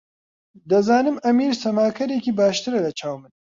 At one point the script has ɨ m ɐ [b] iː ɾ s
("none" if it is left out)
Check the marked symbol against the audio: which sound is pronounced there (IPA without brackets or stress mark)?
m